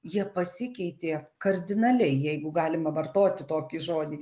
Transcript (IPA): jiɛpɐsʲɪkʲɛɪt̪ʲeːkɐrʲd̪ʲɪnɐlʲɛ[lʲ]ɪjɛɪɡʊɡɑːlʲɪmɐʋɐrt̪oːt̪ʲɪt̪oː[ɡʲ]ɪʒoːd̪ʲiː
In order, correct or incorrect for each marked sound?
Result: incorrect: none, incorrect: kʲ

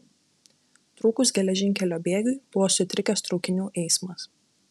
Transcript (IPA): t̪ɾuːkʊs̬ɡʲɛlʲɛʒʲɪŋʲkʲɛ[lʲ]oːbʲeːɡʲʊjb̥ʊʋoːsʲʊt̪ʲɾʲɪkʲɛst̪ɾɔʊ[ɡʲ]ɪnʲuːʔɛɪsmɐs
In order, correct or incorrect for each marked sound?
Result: correct, incorrect: kʲ

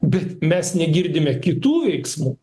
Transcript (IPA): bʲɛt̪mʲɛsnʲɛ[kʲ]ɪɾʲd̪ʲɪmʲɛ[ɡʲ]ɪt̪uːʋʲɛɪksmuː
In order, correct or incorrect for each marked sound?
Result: incorrect: ɡʲ, incorrect: kʲ

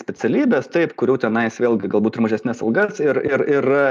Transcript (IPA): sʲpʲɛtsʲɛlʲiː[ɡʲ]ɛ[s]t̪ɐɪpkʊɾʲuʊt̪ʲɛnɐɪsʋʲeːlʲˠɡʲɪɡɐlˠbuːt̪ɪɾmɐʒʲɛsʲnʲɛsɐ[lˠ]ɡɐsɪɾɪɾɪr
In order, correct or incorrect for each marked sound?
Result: incorrect: bʲ, correct, correct

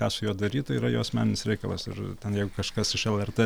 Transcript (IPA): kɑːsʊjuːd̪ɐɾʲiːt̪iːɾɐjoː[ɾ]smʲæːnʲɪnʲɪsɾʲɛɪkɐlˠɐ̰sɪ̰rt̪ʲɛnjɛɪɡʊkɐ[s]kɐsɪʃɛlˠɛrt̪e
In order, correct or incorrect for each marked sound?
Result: incorrect: none, incorrect: ʃ

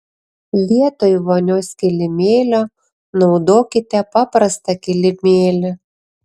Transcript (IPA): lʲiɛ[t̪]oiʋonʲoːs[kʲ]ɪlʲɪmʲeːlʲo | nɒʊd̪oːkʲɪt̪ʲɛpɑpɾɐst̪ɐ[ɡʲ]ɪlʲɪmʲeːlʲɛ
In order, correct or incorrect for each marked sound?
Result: correct, correct, incorrect: kʲ

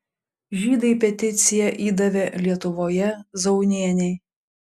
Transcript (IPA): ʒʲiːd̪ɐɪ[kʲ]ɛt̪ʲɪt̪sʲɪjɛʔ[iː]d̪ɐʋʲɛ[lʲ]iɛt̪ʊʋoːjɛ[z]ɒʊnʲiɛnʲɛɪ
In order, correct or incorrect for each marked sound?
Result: incorrect: pʲ, correct, correct, correct

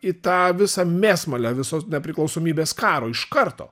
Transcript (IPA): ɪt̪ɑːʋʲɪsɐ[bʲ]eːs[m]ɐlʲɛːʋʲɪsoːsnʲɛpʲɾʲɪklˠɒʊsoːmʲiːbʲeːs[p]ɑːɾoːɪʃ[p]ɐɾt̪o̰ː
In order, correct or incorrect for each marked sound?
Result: incorrect: mʲ, correct, incorrect: k, incorrect: k

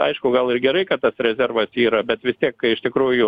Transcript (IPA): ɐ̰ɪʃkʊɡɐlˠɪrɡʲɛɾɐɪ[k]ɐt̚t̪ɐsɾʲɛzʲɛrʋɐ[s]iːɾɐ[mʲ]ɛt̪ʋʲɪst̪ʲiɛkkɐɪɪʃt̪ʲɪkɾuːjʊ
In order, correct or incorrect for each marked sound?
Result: correct, correct, incorrect: bʲ

